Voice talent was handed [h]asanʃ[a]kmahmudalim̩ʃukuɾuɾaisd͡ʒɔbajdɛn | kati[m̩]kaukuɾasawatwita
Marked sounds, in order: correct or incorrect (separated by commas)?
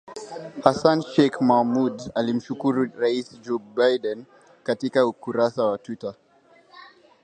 correct, incorrect, incorrect